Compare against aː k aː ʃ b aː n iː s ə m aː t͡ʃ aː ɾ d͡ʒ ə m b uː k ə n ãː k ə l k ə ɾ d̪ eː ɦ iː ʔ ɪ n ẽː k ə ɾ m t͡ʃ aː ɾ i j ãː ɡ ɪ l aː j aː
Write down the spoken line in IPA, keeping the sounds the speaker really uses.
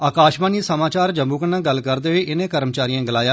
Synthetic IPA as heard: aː k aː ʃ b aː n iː s ə m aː t͡ʃ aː ɾ d͡ʒ ə m b uː k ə n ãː ɡ ə l k ə ɾ d̪ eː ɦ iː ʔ ɪ n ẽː k ə ɾ m t͡ʃ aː ɾ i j ãː ɡ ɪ l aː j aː

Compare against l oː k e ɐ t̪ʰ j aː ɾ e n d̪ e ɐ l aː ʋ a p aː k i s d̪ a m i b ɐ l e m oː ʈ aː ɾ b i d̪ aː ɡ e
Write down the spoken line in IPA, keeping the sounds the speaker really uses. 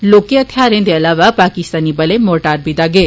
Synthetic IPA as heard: l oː k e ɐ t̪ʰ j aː ɾ e n d̪ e ɐ l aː ʋ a p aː k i s t̪ a n i b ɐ l e m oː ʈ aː ɾ b i d̪ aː ɡ e

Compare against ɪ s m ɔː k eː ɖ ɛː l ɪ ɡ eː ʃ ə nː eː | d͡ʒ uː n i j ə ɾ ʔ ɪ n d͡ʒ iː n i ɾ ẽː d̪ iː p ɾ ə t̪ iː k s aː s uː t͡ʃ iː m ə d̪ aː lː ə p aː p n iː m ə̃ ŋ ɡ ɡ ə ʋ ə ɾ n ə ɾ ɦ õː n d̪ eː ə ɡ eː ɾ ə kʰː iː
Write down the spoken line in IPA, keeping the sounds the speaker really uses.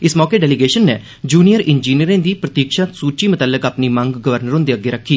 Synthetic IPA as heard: ɪ s m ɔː k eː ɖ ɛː l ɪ ɡ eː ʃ ə nː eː | d͡ʒ uː n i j ə ɾ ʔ ɪ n d͡ʒ iː n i ɾ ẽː d̪ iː p ɾ ə t̪ iː k ʃ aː s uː t͡ʃ iː m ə t̪ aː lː ə k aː p n iː m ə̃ ŋ ɡ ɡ ə ʋ ə ɾ n ə ɾ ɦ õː n d̪ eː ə ɡ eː ɾ ə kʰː iː

